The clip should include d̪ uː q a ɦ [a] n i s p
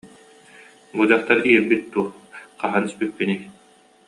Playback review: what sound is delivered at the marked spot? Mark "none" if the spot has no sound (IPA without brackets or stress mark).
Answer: a